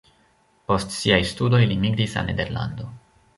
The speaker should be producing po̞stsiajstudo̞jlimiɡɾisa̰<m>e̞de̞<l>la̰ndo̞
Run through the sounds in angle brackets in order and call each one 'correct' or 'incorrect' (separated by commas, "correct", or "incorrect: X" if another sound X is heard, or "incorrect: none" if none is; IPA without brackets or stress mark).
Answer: incorrect: n, incorrect: ɾ